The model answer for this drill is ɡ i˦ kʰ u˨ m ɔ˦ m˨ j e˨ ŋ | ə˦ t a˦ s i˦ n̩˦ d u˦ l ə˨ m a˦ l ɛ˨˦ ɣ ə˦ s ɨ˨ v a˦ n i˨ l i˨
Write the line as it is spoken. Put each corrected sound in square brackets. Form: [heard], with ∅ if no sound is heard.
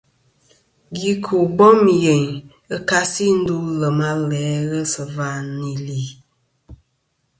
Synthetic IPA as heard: ɡ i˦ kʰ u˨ [b] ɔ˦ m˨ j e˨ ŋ | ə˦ [k] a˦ s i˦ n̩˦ d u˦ l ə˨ m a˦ l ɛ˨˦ ɣ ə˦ s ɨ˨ v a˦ n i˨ l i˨